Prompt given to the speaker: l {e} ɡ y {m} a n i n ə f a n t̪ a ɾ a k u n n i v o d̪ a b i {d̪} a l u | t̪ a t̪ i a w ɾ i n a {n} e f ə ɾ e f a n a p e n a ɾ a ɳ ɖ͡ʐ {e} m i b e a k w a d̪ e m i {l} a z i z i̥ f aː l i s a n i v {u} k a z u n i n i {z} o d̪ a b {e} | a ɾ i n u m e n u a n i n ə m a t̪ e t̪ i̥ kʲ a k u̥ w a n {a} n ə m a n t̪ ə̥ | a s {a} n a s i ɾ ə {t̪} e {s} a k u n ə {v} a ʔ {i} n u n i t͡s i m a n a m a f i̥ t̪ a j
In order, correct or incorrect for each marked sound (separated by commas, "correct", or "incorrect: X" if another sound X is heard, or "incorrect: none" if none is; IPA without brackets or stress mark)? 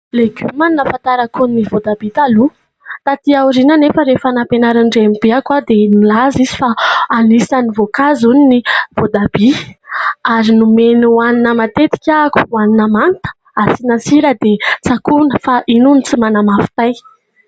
correct, correct, incorrect: t̪, correct, correct, correct, incorrect: o, incorrect: v, incorrect: i, incorrect: i, incorrect: i, incorrect: d̪, incorrect: t͡s, incorrect: f, correct